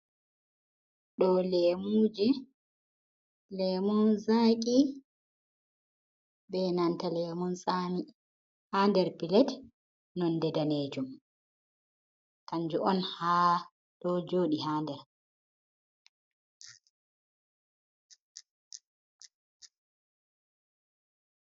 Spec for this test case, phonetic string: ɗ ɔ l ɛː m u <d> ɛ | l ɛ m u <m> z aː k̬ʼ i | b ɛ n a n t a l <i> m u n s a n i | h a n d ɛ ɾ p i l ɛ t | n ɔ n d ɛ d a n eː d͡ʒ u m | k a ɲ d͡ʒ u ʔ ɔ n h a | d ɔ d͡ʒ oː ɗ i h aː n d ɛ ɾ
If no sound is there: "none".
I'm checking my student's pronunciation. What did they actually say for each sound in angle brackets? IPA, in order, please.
d͡ʒ, n, ɛ

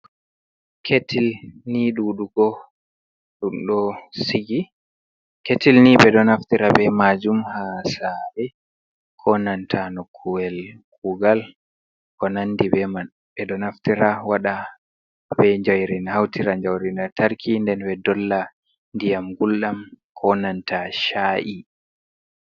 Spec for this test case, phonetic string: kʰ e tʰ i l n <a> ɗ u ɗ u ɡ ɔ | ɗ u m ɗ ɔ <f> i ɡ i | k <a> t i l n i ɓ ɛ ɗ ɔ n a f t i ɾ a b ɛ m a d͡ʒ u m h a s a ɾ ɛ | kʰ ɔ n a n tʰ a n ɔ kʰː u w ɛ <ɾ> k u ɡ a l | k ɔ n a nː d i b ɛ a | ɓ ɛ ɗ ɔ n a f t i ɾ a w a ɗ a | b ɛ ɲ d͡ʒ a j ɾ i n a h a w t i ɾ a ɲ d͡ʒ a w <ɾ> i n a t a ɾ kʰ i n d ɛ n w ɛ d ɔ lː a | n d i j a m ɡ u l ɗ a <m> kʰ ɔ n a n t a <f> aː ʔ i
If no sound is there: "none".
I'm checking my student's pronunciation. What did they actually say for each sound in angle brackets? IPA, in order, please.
i, s, e, l, ɾ, m, ʃ

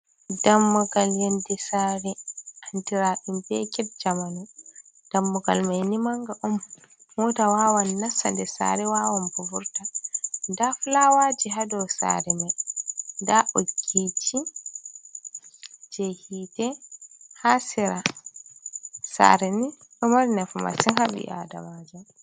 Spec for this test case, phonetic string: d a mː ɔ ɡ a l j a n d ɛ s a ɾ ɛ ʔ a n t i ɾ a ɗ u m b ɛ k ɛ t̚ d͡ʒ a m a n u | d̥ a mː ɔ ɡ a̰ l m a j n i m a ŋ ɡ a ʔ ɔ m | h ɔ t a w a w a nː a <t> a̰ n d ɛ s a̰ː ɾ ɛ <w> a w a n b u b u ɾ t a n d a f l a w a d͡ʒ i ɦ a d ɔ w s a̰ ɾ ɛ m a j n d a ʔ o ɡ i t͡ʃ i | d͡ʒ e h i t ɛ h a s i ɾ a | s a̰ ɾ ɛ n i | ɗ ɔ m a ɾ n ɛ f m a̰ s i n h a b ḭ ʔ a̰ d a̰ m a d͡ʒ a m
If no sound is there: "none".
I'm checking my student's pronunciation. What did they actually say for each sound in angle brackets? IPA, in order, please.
s, w

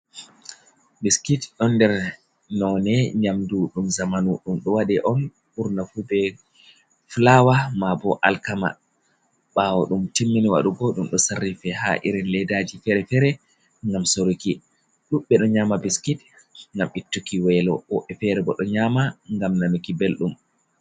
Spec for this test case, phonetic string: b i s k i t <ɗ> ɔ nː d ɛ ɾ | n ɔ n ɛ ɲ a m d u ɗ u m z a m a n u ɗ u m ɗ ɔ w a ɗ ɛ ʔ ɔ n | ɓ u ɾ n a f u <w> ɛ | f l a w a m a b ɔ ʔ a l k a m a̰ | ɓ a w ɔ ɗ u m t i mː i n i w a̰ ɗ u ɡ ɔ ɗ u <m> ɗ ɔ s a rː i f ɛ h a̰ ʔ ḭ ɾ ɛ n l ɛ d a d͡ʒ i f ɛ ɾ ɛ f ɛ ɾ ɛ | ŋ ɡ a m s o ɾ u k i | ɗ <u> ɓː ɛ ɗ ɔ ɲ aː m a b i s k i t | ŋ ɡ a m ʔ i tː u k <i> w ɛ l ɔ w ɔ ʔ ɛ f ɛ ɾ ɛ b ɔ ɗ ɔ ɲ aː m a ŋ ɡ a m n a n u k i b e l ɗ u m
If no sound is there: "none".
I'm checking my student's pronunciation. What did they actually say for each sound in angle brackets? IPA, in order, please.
ɗ, b, m, u, i

